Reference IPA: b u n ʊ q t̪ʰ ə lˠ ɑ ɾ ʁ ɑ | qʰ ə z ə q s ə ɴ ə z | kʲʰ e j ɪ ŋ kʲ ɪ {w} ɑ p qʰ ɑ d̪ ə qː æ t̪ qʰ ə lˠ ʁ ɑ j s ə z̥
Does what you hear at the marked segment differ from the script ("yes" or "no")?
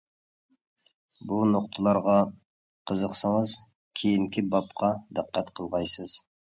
yes